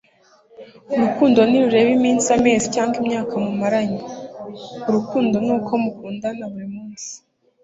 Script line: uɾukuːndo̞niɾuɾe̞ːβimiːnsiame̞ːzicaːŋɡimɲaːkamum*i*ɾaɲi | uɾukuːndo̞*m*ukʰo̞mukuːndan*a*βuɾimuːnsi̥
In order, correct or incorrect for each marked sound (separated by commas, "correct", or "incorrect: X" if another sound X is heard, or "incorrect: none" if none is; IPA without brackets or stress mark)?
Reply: incorrect: a, incorrect: n, correct